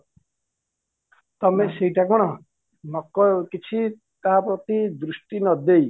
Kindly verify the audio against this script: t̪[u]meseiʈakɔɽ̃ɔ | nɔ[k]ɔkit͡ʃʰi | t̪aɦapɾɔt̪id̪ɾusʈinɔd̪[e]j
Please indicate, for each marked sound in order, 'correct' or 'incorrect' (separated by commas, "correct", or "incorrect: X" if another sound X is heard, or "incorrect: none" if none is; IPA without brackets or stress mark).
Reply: incorrect: ɔ, correct, correct